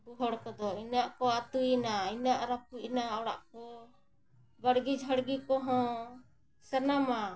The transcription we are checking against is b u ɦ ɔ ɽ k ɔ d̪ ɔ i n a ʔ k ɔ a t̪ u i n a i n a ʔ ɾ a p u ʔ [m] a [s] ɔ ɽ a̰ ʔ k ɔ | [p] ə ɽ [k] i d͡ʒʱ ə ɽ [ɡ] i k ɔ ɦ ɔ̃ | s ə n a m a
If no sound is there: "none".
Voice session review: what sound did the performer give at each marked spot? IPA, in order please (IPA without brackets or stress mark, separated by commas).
n, none, b, ɡ, ɡ